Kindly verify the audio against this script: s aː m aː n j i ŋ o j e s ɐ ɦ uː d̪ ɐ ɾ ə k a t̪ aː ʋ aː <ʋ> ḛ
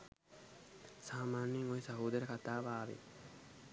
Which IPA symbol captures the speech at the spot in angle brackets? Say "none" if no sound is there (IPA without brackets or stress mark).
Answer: ʋ